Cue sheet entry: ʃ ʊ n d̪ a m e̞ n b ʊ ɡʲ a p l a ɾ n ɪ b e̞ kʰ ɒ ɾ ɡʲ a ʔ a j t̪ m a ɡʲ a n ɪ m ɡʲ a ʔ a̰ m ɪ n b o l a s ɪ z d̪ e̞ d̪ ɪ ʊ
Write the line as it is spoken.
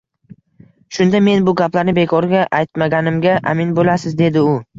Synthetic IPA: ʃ ʊ n d̪ a m e̞ n b ʊ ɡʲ a p l a ɾ n ɪ b e̞ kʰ ɒ ɾ ɡʲ a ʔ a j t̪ m a ɡʲ a n ɪ m ɡʲ a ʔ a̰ m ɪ n b o l a s ɪ z d̪ e̞ d̪ ɪ ʊ